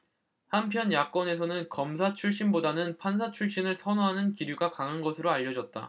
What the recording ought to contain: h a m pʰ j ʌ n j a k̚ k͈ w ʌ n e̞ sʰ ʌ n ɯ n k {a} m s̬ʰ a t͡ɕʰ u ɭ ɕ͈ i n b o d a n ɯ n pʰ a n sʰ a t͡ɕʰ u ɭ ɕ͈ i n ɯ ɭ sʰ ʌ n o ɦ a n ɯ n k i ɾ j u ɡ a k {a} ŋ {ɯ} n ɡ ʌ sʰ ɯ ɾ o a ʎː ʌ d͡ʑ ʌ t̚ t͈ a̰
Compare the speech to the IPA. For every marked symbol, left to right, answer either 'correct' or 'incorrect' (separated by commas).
incorrect, correct, correct